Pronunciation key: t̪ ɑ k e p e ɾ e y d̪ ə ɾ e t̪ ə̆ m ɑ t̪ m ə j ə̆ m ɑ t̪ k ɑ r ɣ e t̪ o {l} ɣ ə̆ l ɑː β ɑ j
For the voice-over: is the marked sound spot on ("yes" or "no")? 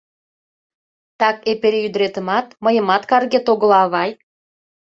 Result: no